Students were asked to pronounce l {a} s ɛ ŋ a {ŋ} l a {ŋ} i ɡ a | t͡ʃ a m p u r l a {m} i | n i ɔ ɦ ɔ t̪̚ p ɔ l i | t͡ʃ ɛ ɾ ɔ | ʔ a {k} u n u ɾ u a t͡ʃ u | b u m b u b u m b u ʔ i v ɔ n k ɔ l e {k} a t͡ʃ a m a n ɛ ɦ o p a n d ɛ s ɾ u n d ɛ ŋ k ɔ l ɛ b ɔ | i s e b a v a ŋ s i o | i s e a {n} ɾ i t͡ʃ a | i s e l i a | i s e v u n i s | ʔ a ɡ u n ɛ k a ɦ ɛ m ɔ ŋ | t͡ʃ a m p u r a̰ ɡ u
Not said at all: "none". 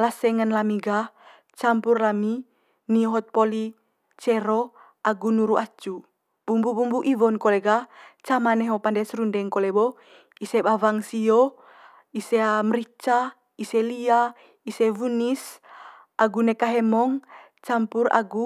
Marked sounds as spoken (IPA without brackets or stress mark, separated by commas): a, n, m, m, ɡ, ɡ, m